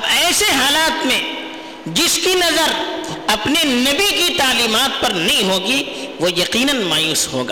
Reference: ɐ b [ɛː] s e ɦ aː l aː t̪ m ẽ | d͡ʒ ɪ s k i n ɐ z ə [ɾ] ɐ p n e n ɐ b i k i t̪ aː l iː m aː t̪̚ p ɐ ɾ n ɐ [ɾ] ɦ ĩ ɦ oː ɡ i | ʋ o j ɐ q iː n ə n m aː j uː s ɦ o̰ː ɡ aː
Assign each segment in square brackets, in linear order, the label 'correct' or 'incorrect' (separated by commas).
correct, correct, incorrect